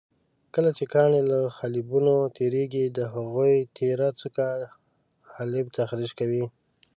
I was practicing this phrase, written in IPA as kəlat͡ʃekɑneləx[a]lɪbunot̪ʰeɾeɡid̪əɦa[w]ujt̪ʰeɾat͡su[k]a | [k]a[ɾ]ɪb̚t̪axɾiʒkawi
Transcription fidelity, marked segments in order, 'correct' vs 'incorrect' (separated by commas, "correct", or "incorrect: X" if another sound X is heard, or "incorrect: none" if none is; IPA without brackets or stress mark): correct, incorrect: ɣ, correct, incorrect: x, incorrect: l